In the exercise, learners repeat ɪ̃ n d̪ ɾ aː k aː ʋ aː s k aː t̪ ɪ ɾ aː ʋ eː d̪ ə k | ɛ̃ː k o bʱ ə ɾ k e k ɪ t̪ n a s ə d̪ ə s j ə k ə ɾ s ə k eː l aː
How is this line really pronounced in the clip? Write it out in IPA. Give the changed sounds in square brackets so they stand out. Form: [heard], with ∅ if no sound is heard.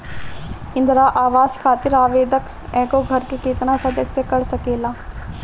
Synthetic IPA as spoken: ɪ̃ n d̪ ɾ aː [ʔ] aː ʋ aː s [kʰ] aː t̪ ɪ ɾ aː ʋ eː d̪ ə k | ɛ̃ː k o [ɡʱ] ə ɾ k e k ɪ t̪ n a s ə d̪ ə s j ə k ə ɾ s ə k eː l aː